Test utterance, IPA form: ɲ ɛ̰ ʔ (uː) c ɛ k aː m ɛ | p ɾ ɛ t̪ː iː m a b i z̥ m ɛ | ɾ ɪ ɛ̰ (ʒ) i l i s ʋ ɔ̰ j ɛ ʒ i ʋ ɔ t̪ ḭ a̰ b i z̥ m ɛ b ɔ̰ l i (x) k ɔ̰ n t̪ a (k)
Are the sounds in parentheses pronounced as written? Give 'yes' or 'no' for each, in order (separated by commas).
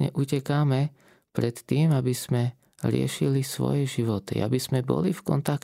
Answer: no, no, no, yes